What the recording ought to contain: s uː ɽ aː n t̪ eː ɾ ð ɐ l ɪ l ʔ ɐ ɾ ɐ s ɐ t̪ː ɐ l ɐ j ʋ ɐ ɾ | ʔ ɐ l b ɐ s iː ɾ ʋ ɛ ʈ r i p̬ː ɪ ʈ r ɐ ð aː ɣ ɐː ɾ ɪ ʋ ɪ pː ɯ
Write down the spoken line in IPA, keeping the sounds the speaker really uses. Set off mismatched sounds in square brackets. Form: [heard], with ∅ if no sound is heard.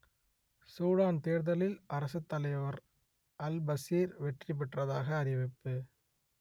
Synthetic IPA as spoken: s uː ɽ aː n t̪ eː ɾ ð ɐ l ɪ l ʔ ɐ ɾ ɐ s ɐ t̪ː ɐ l ɐ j ʋ ɐ ɾ | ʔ ɐ l b ɐ s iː ɾ ʋ ɛ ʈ r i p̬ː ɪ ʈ r ɐ ð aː ɣ ɐː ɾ ɪ ʋ ɪ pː ɯ